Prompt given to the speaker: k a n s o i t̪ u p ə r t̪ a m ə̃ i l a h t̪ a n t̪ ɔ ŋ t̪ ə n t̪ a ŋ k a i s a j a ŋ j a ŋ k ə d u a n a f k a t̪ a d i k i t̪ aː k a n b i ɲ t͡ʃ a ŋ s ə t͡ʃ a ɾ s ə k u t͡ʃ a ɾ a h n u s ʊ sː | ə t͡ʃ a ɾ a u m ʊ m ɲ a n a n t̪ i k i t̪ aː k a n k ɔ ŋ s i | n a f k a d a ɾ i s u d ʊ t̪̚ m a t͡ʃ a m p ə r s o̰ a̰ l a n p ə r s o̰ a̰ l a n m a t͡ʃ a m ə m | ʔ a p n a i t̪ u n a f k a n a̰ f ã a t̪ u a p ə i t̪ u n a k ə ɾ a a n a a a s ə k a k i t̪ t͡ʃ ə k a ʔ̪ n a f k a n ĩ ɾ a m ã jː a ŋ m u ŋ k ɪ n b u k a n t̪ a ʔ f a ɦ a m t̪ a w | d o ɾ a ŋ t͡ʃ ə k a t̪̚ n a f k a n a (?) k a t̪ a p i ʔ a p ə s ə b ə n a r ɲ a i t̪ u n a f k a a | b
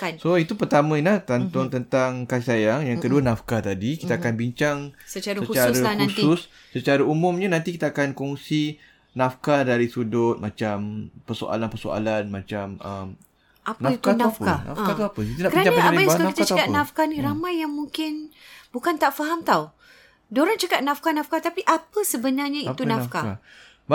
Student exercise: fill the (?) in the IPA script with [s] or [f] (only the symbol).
f